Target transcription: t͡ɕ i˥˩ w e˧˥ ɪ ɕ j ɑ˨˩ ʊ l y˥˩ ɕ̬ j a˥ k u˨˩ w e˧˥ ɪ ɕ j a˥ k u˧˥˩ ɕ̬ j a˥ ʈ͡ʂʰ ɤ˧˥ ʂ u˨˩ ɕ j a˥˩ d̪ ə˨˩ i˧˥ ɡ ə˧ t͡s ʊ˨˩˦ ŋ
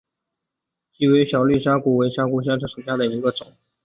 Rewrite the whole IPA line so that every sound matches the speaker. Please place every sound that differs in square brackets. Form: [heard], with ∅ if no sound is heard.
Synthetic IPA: t͡ɕ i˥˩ w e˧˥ ɪ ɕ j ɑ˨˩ ʊ l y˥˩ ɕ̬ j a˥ k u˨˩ w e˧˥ ɪ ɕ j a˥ k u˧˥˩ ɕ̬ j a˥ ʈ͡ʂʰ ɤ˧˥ ʂ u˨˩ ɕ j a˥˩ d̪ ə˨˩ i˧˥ ɡ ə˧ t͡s ʊ˨˩˦ ŋ